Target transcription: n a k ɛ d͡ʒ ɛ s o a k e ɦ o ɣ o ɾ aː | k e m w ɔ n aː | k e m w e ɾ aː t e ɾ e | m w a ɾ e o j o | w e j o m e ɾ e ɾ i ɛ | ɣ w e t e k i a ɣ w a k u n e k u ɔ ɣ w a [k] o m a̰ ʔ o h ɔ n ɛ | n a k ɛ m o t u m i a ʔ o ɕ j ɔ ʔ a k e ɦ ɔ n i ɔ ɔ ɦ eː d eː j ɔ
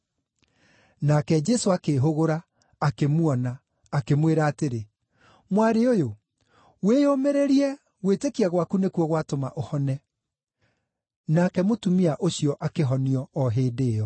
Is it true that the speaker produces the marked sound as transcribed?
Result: no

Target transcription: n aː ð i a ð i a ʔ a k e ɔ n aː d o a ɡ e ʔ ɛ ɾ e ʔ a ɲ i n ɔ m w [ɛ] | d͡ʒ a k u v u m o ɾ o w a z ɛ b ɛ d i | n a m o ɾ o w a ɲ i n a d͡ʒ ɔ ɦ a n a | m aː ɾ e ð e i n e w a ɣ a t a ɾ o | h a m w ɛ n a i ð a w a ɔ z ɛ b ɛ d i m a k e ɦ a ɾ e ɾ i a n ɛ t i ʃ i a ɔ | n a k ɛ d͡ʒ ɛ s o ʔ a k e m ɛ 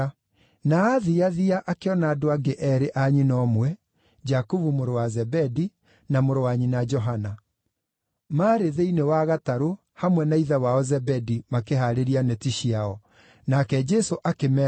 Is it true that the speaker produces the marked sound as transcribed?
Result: yes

